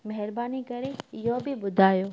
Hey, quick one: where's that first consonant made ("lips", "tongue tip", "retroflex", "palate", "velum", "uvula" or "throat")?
lips